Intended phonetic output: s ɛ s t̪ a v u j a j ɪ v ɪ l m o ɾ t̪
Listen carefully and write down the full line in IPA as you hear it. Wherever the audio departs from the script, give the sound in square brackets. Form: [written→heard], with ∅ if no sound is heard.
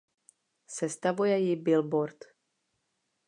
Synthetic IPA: s ɛ s t̪ a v u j [a→ɛ] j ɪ [v→b] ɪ l [m→b] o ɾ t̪